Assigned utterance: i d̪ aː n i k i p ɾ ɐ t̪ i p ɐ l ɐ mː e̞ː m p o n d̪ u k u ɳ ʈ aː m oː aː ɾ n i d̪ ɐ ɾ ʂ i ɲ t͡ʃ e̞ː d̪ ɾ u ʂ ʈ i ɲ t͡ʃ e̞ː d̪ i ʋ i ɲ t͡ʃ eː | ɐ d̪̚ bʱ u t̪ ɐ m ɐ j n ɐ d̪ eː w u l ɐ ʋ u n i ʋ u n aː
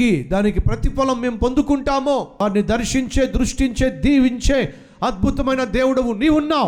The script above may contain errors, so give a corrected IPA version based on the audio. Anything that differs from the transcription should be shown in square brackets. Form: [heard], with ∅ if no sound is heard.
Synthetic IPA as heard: i d̪ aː n i k i p ɾ ɐ t̪ i p ɐ l ɐ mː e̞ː m p o n d̪ u k u ɳ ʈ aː m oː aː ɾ n i d̪ ɐ ɾ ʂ i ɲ t͡ʃ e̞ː d̪ ɾ u ʂ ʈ i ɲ t͡ʃ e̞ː d̪ [iː] ʋ i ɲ t͡ʃ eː | ɐ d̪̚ bʱ u t̪ ɐ m ɐ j n ɐ d̪ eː w u [ɽ] ɐ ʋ u n [iː] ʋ u [nː] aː